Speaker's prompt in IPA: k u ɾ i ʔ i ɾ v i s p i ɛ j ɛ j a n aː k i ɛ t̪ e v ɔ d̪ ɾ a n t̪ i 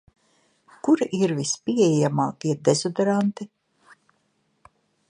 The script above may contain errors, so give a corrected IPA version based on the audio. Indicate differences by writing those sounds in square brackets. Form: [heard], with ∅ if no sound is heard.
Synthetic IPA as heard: k u ɾ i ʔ i ɾ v i s p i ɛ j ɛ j a [m] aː k i ɛ [d̪] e [z] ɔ d̪ ɾ a n t̪ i